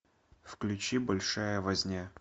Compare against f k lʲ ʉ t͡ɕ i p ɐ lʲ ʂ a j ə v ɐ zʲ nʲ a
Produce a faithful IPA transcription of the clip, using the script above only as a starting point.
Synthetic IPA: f k lʲ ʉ t͡ɕ i b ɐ lʲ ʂ a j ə v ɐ zʲ nʲ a